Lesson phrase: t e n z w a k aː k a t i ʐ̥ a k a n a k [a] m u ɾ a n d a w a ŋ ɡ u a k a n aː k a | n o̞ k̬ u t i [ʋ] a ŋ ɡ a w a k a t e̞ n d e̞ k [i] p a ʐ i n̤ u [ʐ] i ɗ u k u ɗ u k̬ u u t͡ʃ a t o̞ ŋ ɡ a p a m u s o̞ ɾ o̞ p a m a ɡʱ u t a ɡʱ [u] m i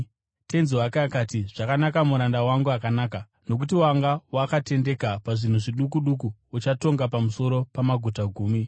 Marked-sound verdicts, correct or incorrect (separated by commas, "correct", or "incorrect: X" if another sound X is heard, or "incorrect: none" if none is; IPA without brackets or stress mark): correct, incorrect: w, incorrect: a, correct, incorrect: uː